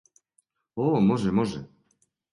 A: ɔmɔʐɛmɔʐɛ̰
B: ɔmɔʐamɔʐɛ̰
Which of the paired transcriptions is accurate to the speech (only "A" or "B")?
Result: A